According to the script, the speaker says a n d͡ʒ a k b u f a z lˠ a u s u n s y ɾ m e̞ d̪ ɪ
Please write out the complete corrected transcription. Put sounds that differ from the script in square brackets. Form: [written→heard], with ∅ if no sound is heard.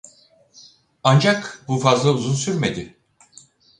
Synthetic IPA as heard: a n d͡ʒ a k b u f a z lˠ a u [s→z] u n s y ɾ m e̞ d̪ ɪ